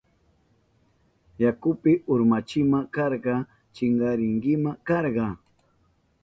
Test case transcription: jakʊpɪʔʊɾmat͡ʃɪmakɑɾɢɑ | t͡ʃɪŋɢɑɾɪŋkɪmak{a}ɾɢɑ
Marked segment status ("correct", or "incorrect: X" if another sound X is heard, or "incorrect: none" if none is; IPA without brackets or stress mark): incorrect: ɑ